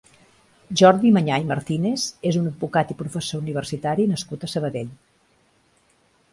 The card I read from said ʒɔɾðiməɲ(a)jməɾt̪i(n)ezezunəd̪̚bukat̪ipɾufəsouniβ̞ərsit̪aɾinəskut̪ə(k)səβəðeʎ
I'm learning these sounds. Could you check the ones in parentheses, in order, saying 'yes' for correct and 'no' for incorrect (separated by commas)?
yes, yes, no